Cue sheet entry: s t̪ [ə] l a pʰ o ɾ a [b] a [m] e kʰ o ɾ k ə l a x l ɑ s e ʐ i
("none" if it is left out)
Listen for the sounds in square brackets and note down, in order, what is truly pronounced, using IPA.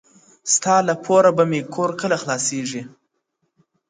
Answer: ɑ, b, m

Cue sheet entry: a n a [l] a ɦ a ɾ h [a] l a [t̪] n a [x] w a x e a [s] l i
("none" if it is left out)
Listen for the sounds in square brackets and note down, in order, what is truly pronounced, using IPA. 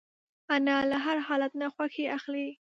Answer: l, ɑ, t̪, x, x

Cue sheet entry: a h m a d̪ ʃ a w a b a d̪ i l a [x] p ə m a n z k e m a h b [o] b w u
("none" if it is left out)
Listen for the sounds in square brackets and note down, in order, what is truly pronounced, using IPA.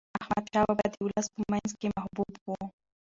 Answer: s, u

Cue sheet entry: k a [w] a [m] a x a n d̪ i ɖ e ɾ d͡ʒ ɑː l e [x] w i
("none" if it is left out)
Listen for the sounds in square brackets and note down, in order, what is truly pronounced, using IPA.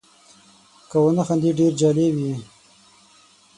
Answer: w, n, none

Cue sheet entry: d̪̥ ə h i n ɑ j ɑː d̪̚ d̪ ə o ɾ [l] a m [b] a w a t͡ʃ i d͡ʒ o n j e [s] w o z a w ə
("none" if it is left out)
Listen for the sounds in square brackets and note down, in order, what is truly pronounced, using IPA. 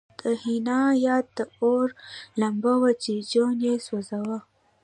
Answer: l, b, s

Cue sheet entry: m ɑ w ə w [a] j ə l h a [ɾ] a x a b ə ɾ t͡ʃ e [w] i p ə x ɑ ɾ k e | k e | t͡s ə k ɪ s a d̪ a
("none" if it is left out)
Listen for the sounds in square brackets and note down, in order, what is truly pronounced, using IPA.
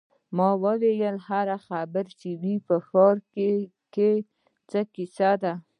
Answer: e, ɾ, w

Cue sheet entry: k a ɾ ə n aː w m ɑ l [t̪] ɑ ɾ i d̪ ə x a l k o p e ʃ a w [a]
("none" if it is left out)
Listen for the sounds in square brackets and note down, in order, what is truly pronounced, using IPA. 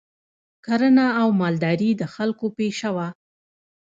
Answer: d̪, a

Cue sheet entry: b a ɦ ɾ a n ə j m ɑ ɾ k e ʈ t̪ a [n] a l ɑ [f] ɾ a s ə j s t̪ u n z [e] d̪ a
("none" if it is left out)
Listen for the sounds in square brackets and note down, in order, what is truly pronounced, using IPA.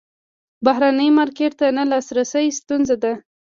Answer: n, s, a

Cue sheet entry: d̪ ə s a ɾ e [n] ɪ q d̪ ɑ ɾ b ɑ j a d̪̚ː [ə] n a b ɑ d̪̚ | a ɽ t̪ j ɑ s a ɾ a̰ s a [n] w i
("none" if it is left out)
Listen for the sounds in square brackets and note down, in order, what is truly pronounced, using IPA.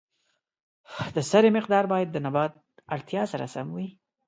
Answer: m, ə, m

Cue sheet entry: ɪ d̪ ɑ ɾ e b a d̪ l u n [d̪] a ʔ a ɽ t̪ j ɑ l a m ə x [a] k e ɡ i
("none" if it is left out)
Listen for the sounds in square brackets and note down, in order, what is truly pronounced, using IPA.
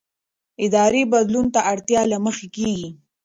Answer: t̪, e

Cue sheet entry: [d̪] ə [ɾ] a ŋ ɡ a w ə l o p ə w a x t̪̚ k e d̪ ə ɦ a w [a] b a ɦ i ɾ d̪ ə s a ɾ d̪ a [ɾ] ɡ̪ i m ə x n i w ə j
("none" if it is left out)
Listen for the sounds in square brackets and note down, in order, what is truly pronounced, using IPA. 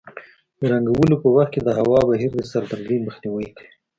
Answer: d̪, ɾ, ɑ, ɾ

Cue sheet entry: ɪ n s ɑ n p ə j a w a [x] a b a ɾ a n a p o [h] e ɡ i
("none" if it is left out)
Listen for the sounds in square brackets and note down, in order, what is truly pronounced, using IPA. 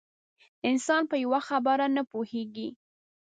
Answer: x, h

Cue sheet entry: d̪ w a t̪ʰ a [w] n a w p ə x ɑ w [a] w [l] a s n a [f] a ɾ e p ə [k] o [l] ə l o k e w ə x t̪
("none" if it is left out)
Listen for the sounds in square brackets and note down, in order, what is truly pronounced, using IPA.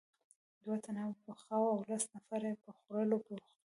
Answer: none, a, l, f, x, ɾ

